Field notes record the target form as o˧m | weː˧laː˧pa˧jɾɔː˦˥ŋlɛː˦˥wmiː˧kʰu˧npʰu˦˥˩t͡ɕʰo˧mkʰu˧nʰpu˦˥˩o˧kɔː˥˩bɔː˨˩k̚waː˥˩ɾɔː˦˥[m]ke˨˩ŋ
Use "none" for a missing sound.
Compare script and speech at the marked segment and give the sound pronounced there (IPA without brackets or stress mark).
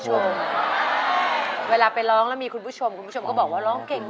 ŋ